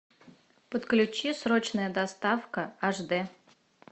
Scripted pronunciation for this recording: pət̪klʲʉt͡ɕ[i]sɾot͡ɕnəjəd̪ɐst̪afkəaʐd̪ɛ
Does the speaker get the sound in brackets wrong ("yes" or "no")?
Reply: no